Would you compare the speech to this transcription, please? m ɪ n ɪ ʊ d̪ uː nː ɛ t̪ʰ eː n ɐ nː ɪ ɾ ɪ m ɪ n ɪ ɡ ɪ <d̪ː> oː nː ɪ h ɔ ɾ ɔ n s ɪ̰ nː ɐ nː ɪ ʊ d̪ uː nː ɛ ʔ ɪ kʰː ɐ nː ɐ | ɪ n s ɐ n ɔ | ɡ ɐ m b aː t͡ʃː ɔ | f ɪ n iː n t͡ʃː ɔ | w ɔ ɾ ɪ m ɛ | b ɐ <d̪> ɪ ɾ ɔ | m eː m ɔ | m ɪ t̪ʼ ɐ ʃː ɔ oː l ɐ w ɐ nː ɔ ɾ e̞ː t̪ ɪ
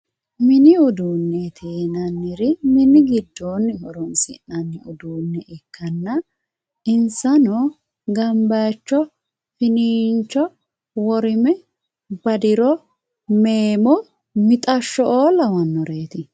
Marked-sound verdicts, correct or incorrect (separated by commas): correct, correct